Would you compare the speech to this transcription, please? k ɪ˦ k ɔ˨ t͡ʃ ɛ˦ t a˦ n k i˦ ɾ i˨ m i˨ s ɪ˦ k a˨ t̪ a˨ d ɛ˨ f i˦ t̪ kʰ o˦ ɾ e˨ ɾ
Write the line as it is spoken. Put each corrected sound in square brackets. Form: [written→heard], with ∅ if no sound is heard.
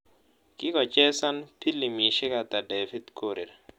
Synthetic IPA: k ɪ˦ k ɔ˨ t͡ʃ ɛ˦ [t→s] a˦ n [k→p] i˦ [ɾ→l] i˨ m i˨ [s→ʃ] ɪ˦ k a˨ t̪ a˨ d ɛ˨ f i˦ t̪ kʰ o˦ ɾ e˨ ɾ